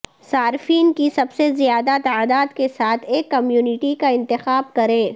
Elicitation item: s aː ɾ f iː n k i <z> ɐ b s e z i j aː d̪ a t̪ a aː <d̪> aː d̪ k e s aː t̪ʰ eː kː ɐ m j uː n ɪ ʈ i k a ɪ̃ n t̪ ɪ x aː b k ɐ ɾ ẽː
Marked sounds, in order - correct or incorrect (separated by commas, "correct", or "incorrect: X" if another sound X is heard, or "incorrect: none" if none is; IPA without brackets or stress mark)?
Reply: incorrect: s, correct